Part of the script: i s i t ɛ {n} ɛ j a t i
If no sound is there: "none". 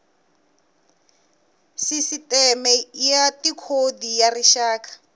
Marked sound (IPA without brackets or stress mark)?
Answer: m